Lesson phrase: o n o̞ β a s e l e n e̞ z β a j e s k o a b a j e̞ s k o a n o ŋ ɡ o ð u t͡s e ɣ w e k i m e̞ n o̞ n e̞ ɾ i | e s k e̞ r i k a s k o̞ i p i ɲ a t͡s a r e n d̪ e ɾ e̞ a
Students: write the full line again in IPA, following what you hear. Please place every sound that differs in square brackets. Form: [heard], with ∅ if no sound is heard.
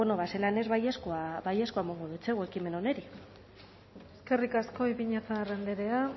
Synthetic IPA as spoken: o n o̞ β a s e l [a] n e̞ z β a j e s k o a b a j e̞ s k o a [m] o ŋ ɡ o ð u t͡s e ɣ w e k i m e̞ n o̞ n e̞ ɾ i | e s k e̞ r i k a s k o̞ i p i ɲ a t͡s a r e n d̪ e ɾ e̞ a